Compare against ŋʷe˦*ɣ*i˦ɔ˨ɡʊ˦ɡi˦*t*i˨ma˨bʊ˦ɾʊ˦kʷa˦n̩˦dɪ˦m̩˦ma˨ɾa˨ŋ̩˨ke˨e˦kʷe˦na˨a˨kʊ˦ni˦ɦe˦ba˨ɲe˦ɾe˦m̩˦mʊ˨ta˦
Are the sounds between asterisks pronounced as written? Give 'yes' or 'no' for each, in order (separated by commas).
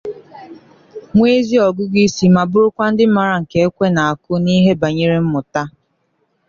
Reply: no, no